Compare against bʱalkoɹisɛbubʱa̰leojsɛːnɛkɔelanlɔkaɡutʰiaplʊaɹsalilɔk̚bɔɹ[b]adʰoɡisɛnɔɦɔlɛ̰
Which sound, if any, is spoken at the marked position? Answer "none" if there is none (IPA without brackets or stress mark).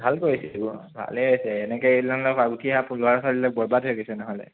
b